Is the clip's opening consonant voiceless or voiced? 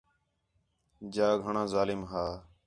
voiced